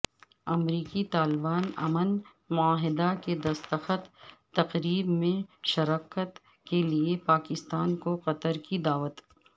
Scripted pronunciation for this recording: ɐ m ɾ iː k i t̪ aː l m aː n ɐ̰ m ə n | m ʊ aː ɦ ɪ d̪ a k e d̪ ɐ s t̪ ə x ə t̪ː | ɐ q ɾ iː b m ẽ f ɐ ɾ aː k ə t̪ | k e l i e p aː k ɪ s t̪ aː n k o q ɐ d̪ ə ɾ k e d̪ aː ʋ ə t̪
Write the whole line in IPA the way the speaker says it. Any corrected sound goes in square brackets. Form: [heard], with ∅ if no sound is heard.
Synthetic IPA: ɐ m ɾ iː k i t̪ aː l [b] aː n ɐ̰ m ə n | m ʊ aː ɦ ɪ d̪ a k e d̪ ɐ s t̪ ə x ə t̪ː | ɐ q ɾ iː b m ẽ [ʃ] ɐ ɾ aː k ə t̪ | k e l i e p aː k ɪ s t̪ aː n k o q ɐ [t̪] ə ɾ k [i] d̪ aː ʋ ə t̪